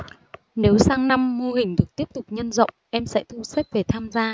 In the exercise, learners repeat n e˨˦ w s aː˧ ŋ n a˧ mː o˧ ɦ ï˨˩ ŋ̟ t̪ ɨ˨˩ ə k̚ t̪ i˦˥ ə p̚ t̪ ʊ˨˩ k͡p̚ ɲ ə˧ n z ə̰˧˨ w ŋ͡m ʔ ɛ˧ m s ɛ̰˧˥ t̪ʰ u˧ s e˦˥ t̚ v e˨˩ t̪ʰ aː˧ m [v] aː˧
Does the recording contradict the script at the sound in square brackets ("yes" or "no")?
yes